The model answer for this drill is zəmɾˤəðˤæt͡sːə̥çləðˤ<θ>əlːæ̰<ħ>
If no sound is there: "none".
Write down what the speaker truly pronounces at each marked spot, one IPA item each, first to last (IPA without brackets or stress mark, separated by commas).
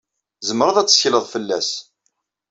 f, s